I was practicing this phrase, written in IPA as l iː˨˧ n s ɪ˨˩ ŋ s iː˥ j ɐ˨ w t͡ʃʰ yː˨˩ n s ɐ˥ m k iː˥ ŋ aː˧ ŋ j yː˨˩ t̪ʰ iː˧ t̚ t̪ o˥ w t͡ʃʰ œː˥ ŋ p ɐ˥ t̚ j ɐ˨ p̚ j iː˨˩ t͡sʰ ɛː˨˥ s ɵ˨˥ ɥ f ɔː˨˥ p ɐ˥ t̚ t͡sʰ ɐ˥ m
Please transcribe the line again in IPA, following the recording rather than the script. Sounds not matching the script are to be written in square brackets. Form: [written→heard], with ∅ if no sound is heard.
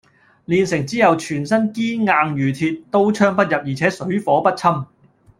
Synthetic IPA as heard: l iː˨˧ n s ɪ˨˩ ŋ [s→t͡s] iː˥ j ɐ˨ w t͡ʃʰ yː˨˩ n s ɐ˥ [m→n] k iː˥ ŋ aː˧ ŋ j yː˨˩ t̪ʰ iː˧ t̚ t̪ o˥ w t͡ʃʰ œː˥ ŋ p ɐ˥ t̚ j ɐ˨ p̚ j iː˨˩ t͡sʰ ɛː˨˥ s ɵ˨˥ ɥ f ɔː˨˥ p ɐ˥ t̚ t͡sʰ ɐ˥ m